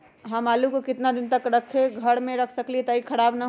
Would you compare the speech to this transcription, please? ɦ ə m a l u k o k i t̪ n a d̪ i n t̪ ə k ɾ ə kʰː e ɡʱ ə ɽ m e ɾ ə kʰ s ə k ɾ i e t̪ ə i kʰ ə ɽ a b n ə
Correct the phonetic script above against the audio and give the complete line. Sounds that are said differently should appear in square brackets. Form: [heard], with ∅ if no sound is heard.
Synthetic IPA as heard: ɦ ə m a l u k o k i t̪ n a d̪ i n t̪ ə k ɾ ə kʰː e ɡʱ ə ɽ m e ɾ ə kʰ s ə k [l] i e t̪ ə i kʰ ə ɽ a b n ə